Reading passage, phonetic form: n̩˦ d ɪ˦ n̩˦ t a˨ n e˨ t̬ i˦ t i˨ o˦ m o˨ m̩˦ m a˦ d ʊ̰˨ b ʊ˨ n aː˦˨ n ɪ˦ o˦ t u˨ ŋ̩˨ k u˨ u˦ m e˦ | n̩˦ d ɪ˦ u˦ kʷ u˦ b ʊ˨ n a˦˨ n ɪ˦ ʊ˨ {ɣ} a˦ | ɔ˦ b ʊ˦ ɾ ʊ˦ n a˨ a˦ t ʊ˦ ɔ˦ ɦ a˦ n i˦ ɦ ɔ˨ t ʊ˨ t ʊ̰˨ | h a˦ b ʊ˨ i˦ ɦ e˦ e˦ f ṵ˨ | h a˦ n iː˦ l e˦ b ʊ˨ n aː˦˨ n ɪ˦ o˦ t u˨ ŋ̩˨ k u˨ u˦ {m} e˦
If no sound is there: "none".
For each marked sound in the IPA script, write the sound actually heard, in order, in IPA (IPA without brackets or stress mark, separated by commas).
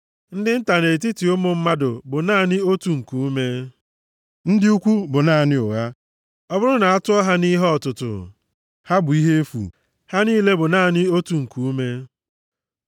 ɣ, m